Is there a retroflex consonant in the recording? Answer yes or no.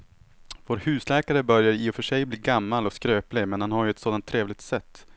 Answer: yes